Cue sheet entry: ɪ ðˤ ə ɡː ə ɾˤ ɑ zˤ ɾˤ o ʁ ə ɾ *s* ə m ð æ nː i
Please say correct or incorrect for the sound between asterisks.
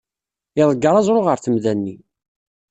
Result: incorrect: θ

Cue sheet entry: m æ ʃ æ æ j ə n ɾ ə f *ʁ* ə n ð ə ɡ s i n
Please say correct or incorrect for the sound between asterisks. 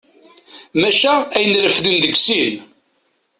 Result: incorrect: ð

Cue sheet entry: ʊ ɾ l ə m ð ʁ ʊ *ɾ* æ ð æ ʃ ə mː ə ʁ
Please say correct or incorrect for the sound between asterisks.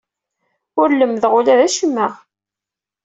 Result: incorrect: l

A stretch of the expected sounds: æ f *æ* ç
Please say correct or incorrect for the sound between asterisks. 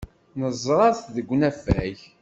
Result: correct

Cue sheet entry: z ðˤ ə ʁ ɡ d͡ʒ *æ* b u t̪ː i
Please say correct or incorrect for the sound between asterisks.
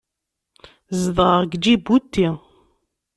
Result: incorrect: i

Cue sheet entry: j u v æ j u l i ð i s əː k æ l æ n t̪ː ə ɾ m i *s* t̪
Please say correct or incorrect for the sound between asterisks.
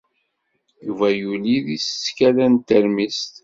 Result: correct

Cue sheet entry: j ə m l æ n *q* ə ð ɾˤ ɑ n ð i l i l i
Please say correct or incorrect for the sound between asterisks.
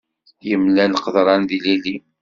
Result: correct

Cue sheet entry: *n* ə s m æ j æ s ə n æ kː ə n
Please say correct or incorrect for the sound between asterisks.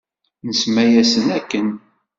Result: correct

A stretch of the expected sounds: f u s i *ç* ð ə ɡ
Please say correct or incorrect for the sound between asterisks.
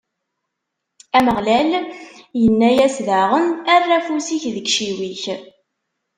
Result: correct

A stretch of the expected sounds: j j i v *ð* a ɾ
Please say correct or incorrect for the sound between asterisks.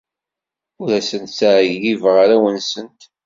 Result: incorrect: ʁ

